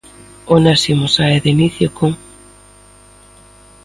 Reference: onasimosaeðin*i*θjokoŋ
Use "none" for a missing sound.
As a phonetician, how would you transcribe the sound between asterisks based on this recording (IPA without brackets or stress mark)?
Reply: i